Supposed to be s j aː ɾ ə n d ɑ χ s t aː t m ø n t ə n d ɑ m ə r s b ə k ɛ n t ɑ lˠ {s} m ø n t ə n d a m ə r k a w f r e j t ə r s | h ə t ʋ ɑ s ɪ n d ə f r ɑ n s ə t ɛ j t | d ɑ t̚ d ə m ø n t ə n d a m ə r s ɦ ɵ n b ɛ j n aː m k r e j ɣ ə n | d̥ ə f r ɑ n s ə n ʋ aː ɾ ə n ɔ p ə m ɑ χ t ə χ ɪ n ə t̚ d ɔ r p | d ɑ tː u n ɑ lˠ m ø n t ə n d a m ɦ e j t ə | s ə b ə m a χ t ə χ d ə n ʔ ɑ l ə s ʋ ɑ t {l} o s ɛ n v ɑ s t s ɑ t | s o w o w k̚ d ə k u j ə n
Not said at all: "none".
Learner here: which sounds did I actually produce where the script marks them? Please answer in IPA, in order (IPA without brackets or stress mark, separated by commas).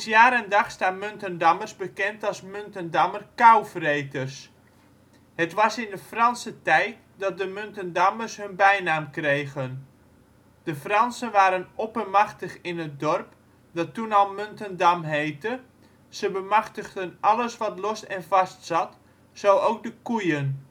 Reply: s, l